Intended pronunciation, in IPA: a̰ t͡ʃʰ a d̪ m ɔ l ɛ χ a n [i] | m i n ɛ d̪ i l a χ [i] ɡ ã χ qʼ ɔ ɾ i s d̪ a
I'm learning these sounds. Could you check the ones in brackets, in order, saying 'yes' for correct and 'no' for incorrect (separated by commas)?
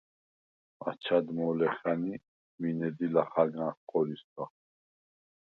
yes, no